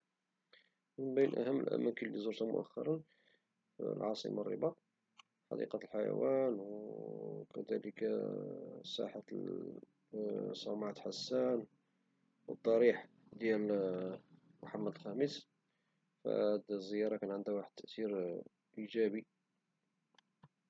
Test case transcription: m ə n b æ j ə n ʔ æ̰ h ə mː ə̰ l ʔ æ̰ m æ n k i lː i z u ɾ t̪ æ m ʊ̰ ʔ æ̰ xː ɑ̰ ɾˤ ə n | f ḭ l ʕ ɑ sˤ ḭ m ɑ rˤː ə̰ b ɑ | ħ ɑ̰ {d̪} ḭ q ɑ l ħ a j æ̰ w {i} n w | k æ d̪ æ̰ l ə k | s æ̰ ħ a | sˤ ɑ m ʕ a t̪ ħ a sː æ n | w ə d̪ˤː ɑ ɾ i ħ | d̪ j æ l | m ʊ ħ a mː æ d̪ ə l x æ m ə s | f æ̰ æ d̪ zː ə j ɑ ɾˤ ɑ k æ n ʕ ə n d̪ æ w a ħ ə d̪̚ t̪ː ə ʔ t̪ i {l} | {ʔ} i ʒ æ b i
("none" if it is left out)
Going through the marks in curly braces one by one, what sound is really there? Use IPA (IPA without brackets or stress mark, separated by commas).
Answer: d̪, æ, ɾ, ʔ